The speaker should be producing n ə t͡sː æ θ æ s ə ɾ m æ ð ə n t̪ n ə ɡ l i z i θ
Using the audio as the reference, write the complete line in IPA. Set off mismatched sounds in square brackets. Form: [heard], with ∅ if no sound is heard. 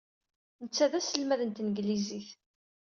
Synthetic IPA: n ə t͡sː æ [ð] æ s ə [l] m æ ð ə n t̪ n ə ɡ l i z i θ